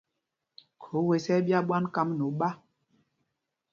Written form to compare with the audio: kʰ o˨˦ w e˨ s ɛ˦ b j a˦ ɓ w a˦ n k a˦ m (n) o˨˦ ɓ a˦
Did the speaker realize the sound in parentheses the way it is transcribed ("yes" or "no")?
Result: yes